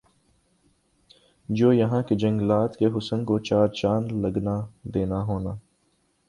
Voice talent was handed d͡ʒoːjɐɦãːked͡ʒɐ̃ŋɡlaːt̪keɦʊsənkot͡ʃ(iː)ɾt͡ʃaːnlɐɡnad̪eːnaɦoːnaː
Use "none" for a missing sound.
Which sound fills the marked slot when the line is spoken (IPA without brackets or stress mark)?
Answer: aː